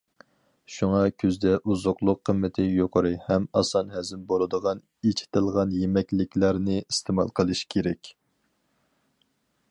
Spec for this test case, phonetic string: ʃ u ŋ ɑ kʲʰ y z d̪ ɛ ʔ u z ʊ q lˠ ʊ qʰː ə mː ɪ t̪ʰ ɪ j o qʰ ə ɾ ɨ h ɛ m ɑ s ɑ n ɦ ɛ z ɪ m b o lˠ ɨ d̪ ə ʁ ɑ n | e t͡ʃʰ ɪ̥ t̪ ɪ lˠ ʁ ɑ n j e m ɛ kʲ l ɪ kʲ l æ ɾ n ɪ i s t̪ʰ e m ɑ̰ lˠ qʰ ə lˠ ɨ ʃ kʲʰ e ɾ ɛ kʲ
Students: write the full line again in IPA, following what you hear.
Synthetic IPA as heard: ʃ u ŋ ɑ kʲʰ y z d̪ ɛ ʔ u z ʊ q lˠ ʊ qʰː ə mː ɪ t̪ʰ ɪ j o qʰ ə ɾ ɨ h ɛ m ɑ s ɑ n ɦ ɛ z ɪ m b o lˠ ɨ d̪ ə ʁ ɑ n | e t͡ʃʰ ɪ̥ t̪ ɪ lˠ ʁ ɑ n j e m ɛ kʲ l ɪ kʲ l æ ɾ n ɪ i s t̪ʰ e m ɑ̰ lˠ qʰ ə lˠ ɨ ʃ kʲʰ e ɾ ɛ kʲ

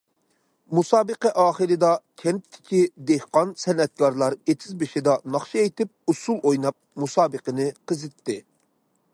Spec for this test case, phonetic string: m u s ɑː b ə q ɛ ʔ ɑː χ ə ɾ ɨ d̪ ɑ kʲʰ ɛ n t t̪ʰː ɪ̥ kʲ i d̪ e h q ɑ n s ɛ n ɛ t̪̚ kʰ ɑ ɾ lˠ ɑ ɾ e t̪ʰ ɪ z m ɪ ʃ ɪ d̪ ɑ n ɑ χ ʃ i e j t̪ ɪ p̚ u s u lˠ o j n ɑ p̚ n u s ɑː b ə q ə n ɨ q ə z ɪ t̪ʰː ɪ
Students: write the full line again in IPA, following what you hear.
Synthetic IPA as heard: m u s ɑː b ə q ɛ ʔ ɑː χ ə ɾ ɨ d̪ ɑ kʲʰ ɛ n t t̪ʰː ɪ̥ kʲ i d̪ e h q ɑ n s ɛ n ɛ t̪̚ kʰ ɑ ɾ lˠ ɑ ɾ e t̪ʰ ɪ z b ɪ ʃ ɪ d̪ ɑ n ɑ χ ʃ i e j t̪ ɪ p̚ u s u lˠ o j n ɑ p̚ m u s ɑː b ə q ə n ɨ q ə z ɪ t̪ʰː ɪ

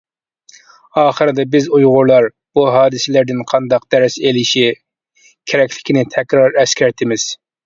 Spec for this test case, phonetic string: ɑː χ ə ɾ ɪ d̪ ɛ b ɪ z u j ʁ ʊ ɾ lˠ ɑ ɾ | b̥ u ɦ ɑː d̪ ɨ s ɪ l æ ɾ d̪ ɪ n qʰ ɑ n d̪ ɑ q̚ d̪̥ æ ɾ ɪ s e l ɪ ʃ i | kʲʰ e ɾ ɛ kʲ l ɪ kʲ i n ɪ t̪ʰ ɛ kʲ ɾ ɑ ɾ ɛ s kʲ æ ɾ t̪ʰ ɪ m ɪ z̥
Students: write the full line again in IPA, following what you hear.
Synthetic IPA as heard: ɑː χ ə ɾ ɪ d̪ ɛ b ɪ z u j ʁ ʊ ɾ lˠ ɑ ɾ | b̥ u ɦ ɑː d̪ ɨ s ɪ l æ ɾ d̪ ɪ n qʰ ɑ n d̪ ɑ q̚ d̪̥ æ ɾ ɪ s e l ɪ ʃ i | kʲʰ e ɾ ɛ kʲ l ɪ kʲ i n ɪ t̪ʰ ɛ kʲ ɾ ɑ ɾ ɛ s kʲ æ ɾ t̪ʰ ɪ m ɪ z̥

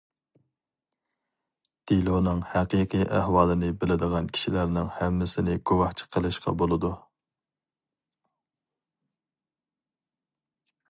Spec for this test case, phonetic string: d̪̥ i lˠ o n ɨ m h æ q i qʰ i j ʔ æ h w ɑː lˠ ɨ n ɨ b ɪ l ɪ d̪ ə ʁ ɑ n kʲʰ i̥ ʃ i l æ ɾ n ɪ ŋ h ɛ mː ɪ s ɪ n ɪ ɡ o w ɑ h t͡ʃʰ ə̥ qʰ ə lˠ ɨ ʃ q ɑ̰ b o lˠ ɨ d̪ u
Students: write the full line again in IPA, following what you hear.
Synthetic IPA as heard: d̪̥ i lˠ o n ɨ ŋ h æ q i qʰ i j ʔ æ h w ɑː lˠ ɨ n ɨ b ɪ l ɪ d̪ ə ʁ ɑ n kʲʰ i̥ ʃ i l æ ɾ n ɪ ŋ h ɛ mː ɪ s ɪ n ɪ ɡ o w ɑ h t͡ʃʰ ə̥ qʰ ə lˠ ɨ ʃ q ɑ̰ b o lˠ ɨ d̪ u

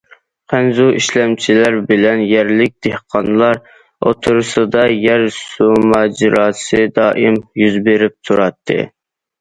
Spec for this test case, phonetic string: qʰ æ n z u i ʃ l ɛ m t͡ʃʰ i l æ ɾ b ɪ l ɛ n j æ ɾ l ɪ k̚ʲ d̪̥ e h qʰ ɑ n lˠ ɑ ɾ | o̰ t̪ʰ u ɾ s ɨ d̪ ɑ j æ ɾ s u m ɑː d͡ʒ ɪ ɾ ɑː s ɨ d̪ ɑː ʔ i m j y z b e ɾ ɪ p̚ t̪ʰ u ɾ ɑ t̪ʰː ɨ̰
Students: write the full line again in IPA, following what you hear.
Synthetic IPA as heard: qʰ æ n z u i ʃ l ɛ m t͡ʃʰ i l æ ɾ b ɪ l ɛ n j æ ɾ l ɪ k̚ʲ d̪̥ e h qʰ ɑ n lˠ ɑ ɾ | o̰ t̪ʰ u ɾ s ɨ d̪ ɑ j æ ɾ s u m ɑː d͡ʒ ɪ ɾ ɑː s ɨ d̪ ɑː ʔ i m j y z b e ɾ ɪ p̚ t̪ʰ u ɾ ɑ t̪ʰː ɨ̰

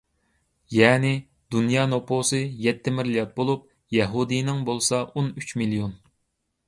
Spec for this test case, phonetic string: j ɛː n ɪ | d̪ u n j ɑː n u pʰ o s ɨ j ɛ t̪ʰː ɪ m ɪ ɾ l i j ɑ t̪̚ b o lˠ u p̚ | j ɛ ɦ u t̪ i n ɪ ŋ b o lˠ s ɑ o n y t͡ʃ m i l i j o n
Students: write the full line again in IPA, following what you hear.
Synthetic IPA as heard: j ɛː n ɪ | d̪ u n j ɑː n o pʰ o s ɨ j ɛ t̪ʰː ɪ m ɪ ɾ l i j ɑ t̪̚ b o lˠ u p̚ | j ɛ ɦ u d̪ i n ɪ ŋ b o lˠ s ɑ o n y t͡ʃ m i l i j o n

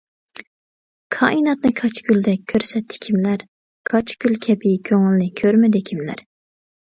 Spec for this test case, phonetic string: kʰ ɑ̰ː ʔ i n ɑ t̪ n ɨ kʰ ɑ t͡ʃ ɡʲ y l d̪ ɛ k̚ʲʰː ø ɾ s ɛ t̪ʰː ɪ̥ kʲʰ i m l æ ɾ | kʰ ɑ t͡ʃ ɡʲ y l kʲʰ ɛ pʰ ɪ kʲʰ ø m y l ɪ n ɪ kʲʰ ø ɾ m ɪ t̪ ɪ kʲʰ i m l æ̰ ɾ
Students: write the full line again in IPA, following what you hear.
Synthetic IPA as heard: kʰ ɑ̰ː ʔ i n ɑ t̪ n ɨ kʰ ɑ t͡ʃ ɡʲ y l d̪ ɛ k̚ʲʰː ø ɾ s ɛ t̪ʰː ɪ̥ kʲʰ i m l æ ɾ | kʰ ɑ t͡ʃ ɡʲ y l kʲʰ ɛ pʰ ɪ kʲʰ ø ŋ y l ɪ n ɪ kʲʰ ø ɾ m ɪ d̪ ɪ kʲʰ i m l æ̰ ɾ

